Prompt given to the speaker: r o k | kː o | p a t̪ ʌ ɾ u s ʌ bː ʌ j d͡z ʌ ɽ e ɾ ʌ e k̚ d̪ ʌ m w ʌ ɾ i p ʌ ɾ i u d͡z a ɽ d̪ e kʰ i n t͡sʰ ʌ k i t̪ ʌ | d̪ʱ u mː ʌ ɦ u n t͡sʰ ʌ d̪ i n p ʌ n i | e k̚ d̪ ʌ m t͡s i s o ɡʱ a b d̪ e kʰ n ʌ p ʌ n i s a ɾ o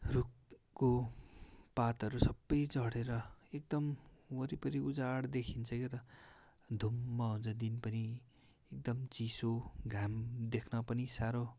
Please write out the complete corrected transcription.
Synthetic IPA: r u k | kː o | p a t̪ ʌ ɾ u s ʌ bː ʌ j d͡z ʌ ɽ e ɾ ʌ e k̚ d̪ ʌ m w ʌ ɾ i p ʌ ɾ i u d͡z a ɽ d̪ e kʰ i n t͡sʰ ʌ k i t̪ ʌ | d̪ʱ u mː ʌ ɦ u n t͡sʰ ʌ d̪ i n p ʌ n i | e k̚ d̪ ʌ m t͡s i s o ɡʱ a m d̪ e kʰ n ʌ p ʌ n i s a ɾ o